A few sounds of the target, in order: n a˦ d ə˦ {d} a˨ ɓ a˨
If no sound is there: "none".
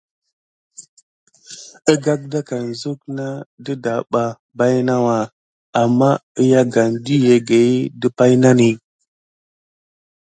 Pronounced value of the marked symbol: d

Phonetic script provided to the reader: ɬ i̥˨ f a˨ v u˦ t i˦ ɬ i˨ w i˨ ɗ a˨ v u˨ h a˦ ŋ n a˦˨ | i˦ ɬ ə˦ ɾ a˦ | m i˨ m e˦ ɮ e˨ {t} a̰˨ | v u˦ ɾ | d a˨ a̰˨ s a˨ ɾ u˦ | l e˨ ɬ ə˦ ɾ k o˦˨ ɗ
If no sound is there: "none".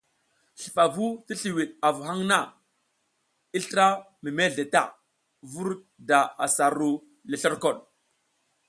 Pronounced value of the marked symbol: t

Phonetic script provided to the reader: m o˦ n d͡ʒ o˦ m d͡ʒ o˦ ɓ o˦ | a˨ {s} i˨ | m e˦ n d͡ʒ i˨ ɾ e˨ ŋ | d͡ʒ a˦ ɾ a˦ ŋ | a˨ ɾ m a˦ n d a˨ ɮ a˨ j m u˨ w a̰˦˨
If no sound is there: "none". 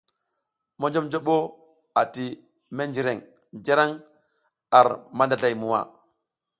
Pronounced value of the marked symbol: t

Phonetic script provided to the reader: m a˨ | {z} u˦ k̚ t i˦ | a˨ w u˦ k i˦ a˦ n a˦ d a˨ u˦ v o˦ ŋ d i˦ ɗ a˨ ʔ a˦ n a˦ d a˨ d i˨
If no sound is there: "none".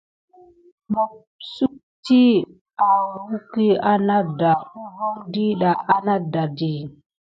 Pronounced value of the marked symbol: s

